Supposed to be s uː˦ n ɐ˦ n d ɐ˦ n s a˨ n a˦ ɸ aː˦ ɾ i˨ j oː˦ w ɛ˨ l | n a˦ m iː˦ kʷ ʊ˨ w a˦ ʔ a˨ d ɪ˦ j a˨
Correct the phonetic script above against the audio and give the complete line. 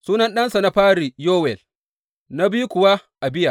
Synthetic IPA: s uː˦ n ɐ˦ n ɗ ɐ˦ n s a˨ n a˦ ɸ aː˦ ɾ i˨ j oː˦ w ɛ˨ l | n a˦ b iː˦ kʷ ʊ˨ w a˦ ʔ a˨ b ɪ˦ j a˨